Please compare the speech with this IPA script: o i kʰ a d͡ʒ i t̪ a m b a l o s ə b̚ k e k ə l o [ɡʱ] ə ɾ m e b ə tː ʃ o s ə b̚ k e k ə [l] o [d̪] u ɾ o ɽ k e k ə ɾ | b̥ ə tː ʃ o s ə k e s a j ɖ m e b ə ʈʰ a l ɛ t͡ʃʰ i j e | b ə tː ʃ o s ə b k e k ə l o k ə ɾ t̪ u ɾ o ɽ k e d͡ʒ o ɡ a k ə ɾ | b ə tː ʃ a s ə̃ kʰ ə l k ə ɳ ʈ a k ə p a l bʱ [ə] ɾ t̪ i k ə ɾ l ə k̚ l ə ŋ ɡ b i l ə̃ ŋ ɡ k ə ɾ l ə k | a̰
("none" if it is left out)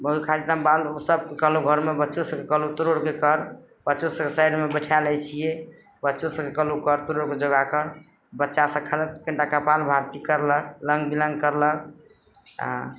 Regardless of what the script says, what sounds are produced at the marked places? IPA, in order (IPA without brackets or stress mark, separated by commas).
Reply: ɡʱ, l, t̪, a